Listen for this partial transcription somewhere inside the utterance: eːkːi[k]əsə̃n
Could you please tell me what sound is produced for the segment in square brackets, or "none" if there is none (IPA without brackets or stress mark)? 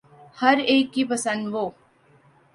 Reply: p